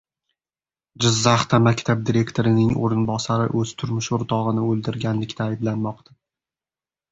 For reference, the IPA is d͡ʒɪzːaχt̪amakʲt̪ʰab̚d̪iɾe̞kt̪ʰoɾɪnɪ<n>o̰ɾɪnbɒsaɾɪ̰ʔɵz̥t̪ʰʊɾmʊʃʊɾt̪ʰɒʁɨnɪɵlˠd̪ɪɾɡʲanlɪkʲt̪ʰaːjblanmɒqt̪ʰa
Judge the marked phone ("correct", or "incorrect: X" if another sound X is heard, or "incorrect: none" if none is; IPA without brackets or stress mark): incorrect: ŋ